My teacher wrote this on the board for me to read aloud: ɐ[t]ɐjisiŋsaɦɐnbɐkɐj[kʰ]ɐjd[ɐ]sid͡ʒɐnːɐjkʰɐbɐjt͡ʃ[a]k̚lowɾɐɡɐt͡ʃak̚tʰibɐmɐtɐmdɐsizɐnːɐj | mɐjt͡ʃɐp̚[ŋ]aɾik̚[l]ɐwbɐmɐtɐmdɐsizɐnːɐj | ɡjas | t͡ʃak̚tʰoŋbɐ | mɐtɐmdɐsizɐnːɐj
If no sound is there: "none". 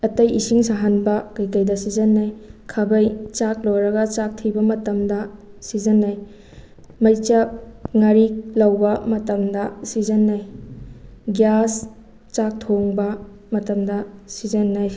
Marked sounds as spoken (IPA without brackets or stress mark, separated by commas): t, k, ɐ, a, ŋ, l